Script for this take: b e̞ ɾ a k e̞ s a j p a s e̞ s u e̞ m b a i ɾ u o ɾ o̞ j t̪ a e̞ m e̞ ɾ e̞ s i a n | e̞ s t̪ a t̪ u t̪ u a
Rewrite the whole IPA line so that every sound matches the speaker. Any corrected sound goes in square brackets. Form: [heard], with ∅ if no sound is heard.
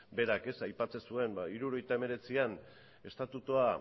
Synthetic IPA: b e̞ ɾ a k e̞ s a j p a [t͡s] e̞ s u e̞ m b a i ɾ u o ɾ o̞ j t̪ a e̞ m e̞ ɾ e̞ [t͡s] i a n | e̞ s t̪ a t̪ u t̪ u a

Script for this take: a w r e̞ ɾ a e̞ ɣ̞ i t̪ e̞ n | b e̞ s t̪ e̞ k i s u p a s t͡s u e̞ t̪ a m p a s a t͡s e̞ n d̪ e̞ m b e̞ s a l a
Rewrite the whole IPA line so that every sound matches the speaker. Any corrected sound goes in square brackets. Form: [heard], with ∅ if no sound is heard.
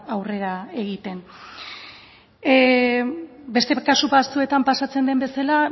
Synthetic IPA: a w r e̞ ɾ a e̞ ɣ̞ i t̪ e̞ n | b e̞ s t̪ e̞ k [a] s u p a s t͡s u e̞ t̪ a m p a s a t͡s e̞ n d̪ e̞ m b e̞ s a l a

